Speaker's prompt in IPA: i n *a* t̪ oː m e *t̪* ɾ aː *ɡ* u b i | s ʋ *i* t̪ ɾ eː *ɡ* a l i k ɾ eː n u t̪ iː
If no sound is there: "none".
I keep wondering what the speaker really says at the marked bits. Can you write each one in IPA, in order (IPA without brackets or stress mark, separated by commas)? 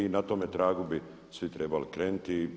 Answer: a, t̪, ɡ, i, b